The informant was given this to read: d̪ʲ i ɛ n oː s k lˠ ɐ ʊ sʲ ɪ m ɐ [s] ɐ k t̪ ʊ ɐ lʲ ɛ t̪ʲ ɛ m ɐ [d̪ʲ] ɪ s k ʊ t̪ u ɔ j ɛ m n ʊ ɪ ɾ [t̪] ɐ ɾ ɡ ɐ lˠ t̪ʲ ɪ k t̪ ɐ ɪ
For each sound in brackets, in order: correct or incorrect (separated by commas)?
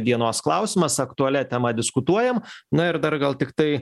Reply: correct, correct, incorrect